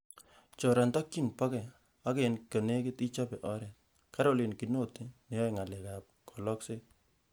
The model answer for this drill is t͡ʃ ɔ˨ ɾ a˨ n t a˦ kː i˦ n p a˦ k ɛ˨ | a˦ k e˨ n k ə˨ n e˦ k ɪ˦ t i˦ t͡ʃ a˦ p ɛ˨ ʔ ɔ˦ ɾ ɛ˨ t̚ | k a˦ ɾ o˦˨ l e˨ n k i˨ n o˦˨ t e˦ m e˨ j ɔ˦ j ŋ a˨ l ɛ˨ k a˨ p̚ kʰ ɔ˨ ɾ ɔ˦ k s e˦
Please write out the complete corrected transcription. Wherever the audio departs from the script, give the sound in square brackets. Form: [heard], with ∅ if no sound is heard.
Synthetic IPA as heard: t͡ʃ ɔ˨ ɾ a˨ n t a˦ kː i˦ n p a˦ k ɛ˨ | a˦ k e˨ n k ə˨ n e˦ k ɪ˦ t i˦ t͡ʃ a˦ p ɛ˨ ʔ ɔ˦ ɾ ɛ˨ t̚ | k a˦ ɾ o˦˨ l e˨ n k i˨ n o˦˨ t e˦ [n] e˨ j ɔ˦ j ŋ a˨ l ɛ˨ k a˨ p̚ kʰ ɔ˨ [l] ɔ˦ k s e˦